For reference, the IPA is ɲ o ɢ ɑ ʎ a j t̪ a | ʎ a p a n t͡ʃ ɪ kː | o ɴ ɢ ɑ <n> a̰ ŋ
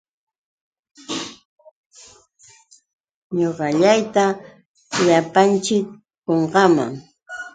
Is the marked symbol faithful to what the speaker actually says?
no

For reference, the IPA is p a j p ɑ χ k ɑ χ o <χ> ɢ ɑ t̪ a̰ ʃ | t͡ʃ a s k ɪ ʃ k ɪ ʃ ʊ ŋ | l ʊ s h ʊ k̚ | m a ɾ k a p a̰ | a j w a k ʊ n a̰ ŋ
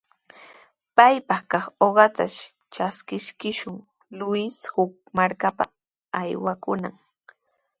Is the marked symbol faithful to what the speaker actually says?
no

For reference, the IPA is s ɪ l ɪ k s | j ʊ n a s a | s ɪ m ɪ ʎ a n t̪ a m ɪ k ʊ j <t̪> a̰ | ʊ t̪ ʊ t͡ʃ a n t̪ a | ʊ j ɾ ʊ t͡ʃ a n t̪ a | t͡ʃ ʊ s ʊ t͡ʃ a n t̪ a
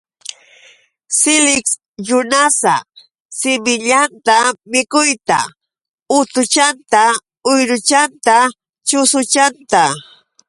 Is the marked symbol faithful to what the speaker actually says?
yes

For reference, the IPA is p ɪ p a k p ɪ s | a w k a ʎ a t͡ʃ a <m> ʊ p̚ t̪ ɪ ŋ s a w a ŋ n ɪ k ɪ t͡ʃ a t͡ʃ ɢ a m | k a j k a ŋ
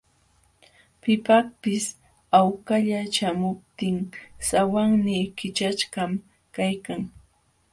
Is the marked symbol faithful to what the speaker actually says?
yes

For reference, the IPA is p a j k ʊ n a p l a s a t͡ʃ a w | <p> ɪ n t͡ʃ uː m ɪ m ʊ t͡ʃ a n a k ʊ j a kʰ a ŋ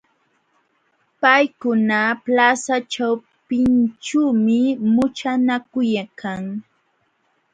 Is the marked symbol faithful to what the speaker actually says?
yes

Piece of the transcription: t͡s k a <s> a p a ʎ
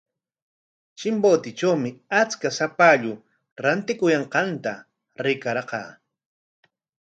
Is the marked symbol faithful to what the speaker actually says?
yes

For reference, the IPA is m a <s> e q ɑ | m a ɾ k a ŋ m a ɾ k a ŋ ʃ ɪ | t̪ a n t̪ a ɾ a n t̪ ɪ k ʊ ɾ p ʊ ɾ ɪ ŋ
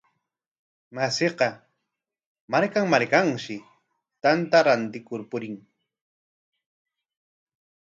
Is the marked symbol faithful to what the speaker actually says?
yes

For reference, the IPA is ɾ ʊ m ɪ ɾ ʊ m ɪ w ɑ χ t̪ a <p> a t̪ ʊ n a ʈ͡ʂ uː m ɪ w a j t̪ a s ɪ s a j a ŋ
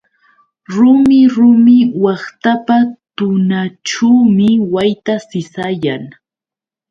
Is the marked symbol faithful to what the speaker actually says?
yes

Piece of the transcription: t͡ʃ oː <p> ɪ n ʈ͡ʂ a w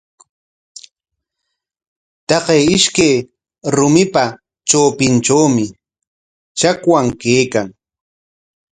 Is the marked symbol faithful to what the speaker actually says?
yes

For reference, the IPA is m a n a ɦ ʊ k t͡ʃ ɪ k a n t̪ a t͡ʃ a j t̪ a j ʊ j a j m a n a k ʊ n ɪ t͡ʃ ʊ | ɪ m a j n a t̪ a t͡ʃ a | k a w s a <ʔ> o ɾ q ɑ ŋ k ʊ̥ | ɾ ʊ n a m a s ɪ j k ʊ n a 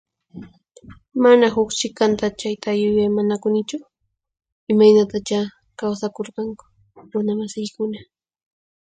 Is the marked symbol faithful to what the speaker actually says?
no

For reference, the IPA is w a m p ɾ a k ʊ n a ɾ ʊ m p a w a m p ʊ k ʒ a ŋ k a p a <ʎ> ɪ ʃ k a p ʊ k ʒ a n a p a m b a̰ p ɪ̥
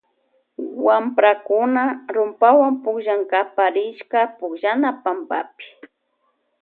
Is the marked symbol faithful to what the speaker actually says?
no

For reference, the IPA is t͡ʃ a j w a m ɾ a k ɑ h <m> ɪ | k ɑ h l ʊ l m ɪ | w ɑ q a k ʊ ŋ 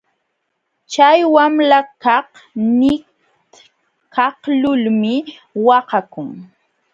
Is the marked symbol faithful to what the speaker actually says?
no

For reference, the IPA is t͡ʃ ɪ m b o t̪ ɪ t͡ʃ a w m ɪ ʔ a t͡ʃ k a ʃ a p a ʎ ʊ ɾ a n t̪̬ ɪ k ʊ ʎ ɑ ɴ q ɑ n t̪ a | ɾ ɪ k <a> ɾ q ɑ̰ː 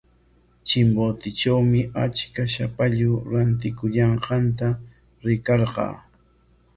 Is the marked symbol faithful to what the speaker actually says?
no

